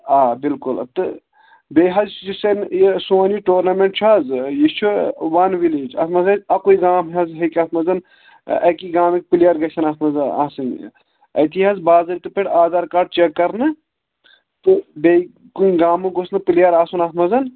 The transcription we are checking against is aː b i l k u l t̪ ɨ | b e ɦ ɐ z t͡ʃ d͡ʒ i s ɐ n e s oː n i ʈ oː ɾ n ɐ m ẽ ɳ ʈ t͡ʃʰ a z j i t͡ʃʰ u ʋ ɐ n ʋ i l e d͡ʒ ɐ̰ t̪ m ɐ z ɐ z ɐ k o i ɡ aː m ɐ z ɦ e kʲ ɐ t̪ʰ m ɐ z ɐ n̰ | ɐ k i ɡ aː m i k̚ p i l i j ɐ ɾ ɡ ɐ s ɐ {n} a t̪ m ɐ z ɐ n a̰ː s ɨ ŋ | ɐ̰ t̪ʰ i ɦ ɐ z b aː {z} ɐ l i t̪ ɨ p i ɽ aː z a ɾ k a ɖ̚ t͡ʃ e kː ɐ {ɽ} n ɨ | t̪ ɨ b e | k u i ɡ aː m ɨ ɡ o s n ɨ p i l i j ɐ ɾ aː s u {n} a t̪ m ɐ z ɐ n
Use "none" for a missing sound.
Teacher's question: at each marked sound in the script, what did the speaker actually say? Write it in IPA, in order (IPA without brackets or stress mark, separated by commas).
n, z, ɾ, n